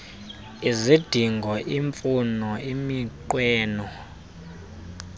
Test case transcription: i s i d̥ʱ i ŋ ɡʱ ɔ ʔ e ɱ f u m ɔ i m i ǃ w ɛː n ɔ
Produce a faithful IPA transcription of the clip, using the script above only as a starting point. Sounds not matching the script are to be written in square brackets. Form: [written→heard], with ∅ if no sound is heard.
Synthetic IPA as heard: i [s→z] i d̥ʱ i ŋ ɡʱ ɔ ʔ [e→i] ɱ f u [m→n] ɔ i m i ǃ w ɛː n ɔ